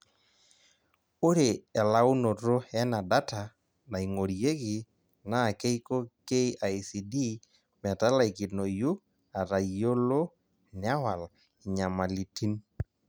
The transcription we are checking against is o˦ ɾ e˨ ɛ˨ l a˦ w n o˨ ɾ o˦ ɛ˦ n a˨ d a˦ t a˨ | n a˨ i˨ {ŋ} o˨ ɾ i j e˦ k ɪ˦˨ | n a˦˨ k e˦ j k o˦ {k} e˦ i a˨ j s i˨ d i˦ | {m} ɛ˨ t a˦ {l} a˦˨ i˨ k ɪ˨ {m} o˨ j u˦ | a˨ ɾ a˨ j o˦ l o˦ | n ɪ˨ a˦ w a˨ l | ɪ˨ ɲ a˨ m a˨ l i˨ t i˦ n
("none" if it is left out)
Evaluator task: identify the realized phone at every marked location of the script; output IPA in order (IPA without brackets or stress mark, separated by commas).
ŋ, k, m, l, n